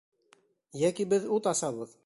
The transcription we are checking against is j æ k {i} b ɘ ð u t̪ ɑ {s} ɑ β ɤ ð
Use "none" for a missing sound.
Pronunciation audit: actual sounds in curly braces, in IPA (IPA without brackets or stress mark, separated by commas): i, s